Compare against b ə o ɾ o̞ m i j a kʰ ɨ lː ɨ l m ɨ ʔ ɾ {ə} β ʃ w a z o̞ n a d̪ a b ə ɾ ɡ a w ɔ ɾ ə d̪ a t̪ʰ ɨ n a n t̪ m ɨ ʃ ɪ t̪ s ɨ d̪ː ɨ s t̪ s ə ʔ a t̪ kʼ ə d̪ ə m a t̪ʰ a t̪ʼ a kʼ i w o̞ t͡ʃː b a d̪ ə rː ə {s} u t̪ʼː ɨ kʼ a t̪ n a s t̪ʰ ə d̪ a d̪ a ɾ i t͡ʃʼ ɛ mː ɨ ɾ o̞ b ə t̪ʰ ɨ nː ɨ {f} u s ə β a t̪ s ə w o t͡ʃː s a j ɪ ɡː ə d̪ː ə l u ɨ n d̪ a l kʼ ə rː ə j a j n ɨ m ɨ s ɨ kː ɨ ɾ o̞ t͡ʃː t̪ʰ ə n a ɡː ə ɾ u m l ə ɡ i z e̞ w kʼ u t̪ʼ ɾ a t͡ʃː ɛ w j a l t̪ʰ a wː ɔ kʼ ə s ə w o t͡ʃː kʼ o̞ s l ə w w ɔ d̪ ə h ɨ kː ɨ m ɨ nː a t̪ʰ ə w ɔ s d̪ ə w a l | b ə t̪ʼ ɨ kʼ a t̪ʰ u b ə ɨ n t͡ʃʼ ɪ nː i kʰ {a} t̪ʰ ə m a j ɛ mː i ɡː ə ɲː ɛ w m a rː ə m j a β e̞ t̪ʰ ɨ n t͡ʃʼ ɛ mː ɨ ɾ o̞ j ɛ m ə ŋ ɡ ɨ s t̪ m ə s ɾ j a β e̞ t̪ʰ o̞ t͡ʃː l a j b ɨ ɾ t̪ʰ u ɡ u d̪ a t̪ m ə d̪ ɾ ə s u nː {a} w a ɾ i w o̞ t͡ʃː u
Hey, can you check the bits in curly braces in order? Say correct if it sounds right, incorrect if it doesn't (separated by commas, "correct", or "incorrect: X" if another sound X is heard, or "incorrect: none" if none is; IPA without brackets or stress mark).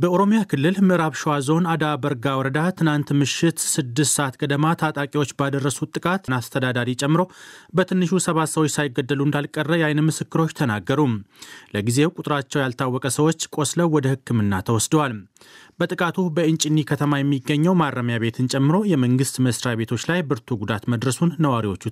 incorrect: a, correct, incorrect: ʃ, incorrect: ə, incorrect: ə